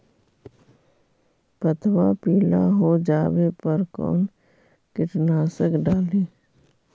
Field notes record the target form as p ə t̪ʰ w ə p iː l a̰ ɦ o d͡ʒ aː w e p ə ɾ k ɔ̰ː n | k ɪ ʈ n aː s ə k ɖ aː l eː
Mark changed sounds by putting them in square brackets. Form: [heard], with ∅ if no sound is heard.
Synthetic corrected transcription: p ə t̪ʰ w [a] p iː l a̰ ɦ o d͡ʒ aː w e p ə ɾ k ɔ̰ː n | k ɪ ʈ n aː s ə k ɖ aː l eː